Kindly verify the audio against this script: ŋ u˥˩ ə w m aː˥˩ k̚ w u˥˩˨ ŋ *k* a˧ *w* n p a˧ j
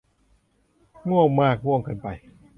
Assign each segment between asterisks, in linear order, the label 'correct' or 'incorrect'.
correct, incorrect: none

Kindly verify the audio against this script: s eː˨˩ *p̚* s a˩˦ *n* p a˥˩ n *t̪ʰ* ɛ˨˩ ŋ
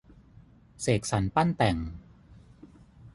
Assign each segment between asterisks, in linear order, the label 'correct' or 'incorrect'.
incorrect: k̚, correct, incorrect: t̪

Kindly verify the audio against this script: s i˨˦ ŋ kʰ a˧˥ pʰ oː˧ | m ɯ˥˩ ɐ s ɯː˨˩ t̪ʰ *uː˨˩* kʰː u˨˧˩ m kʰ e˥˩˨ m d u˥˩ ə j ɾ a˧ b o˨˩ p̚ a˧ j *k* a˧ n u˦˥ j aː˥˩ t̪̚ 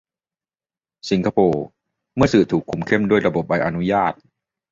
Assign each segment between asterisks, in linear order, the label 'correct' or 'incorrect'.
correct, incorrect: ʔ

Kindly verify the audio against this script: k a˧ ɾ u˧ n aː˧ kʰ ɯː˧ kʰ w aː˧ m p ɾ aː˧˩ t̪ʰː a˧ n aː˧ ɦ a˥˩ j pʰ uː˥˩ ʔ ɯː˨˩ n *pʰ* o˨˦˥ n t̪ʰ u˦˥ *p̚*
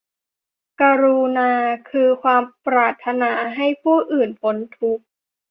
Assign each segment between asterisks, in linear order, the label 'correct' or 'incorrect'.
correct, incorrect: k̚

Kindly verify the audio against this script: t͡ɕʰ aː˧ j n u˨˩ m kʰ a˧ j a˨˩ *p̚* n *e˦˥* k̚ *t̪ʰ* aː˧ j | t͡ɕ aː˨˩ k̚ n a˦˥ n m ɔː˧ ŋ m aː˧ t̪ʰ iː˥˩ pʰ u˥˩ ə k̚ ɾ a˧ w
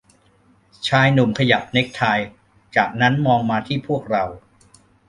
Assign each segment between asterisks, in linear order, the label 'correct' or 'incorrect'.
correct, correct, correct

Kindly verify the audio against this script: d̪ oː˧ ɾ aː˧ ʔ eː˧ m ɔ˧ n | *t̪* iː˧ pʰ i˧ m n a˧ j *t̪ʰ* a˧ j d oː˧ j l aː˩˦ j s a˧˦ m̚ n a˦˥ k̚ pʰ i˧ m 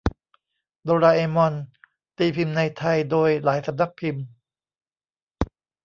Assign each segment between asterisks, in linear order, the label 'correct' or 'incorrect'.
correct, correct

